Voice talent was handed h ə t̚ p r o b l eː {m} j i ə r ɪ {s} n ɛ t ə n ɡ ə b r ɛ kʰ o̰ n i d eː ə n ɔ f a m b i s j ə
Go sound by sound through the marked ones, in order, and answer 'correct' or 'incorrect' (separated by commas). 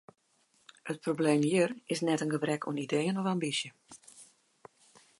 correct, correct